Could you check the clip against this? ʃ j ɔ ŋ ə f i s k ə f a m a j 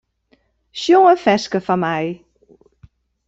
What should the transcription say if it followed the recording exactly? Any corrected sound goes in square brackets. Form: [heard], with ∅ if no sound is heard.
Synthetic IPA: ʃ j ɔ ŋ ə f [ɛ] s k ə f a m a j